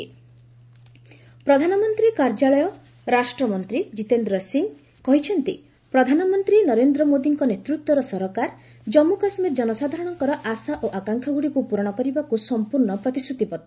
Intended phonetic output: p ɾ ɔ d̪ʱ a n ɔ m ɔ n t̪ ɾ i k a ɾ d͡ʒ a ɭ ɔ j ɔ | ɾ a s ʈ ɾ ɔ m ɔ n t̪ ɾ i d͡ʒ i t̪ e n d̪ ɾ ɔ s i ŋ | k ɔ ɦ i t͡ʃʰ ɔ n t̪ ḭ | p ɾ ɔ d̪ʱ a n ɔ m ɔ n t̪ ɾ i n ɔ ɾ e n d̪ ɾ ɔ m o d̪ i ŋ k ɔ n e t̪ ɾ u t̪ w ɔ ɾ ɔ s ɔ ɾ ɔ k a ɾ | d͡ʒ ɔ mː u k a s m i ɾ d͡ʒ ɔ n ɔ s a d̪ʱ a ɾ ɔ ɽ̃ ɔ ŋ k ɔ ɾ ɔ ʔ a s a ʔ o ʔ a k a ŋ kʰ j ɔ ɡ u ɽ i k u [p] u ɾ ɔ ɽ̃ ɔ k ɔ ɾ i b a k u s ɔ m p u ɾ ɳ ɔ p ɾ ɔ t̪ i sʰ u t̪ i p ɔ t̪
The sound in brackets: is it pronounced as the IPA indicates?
yes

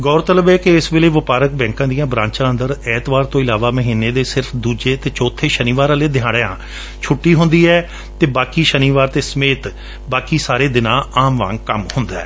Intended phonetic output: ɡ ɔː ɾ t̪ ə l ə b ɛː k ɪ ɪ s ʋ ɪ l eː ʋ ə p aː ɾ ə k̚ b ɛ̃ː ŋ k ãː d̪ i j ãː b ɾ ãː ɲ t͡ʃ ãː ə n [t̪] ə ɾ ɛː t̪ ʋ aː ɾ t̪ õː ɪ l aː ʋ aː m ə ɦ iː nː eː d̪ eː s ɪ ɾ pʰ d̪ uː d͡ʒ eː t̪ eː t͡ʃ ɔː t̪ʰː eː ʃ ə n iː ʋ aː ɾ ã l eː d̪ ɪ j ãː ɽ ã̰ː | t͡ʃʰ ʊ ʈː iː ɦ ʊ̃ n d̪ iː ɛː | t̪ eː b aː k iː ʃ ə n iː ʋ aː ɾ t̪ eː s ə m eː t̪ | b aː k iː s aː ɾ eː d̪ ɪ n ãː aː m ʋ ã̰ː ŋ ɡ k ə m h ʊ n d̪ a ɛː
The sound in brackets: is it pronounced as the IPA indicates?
no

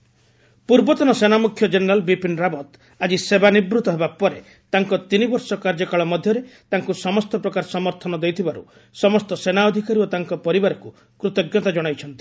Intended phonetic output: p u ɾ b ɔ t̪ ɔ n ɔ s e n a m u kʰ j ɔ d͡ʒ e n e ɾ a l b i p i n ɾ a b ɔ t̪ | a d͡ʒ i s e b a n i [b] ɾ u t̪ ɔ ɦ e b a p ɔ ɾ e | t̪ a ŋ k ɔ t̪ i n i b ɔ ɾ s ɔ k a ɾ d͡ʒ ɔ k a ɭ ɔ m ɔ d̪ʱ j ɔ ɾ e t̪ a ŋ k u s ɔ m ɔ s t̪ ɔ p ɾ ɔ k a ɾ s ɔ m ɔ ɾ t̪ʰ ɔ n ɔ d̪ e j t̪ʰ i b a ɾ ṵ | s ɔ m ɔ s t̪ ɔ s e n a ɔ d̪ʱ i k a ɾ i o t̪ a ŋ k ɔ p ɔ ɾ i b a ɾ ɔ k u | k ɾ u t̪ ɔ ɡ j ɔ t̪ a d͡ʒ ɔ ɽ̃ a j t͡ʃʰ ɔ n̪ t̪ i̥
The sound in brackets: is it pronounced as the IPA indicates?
yes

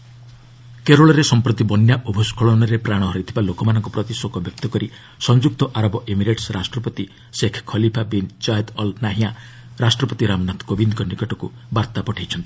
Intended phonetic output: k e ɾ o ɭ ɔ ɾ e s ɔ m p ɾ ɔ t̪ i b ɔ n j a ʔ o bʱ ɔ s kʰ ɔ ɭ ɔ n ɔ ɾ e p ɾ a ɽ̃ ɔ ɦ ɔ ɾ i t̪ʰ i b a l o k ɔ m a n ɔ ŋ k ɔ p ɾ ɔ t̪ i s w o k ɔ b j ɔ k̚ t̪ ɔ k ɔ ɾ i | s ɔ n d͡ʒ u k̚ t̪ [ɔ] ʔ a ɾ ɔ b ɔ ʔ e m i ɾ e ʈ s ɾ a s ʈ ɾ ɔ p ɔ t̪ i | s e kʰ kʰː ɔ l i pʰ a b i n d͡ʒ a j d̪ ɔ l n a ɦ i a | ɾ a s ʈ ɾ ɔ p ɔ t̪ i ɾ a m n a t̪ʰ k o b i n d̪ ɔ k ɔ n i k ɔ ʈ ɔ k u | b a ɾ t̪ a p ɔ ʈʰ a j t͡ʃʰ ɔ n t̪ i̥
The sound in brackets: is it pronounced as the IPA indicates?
yes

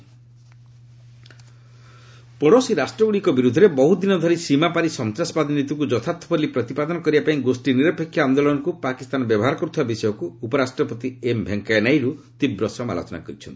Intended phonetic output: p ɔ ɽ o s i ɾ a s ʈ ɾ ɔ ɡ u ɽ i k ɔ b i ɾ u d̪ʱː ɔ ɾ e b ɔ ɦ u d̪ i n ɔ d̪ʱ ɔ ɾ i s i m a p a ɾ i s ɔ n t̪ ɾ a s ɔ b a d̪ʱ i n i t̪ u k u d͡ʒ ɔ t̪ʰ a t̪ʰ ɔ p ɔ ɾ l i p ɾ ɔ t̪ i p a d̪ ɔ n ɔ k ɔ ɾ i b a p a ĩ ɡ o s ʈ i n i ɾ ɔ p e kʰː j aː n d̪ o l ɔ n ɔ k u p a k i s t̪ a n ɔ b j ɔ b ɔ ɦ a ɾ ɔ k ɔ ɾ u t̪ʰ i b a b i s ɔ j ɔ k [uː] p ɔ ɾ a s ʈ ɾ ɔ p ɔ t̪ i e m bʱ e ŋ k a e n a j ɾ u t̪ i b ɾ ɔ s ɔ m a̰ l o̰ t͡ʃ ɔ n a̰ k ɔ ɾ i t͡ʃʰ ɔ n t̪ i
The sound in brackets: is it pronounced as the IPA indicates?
yes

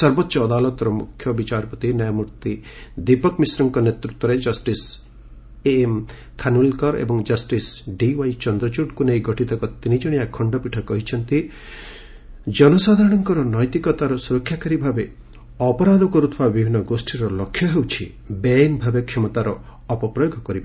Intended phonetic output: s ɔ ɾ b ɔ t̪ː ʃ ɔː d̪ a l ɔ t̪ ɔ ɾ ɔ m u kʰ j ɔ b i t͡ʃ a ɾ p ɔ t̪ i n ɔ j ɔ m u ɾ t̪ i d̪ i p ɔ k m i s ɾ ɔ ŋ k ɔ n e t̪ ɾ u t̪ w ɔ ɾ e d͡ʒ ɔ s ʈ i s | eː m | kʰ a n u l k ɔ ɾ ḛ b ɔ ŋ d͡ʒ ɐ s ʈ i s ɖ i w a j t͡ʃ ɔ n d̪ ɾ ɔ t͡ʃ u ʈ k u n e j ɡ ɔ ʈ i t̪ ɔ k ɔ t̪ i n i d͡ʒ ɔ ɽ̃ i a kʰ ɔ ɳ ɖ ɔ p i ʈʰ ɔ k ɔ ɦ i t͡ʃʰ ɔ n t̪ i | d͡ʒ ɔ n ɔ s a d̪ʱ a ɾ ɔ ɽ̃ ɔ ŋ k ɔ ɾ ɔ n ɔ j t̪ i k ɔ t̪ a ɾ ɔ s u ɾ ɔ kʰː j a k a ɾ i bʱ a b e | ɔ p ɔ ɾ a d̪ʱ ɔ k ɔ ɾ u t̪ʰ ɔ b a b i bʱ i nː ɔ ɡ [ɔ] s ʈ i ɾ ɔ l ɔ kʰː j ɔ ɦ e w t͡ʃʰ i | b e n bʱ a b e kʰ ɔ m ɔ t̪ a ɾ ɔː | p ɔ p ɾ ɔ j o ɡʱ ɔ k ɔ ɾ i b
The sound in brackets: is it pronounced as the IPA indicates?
no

